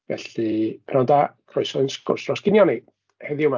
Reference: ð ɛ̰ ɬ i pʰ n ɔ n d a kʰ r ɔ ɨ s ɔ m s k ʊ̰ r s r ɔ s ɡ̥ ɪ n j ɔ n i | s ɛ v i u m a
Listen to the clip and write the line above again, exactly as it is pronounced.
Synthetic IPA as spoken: v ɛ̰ ɬ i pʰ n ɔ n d a kʰ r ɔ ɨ s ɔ n s k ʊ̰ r s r ɔ s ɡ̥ ɪ n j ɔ n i | h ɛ ð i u m a